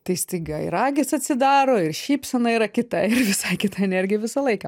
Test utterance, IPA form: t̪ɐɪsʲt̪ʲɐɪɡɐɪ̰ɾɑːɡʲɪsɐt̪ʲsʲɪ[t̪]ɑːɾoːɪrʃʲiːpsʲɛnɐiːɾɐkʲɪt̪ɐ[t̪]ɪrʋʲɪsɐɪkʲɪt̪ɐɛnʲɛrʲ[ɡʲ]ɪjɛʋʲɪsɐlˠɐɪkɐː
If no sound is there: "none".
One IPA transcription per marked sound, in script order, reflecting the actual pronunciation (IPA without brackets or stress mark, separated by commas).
d̪, none, ɡʲ